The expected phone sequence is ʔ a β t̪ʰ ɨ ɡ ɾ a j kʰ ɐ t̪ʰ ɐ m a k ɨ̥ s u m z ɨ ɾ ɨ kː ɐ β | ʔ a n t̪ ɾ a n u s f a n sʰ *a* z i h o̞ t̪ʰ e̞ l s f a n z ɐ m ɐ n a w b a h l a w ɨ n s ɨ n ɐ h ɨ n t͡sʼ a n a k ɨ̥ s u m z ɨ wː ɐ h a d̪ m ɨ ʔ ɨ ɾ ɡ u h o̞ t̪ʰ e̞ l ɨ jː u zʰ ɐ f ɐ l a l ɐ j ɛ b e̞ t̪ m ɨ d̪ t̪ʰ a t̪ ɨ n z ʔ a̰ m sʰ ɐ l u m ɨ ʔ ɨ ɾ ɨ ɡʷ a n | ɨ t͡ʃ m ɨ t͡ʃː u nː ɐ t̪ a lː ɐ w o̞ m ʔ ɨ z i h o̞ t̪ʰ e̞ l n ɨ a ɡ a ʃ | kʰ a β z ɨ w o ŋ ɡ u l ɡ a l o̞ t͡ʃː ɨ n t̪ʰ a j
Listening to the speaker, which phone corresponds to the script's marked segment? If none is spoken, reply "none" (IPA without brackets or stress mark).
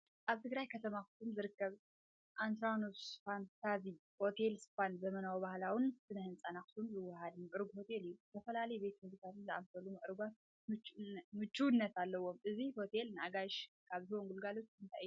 a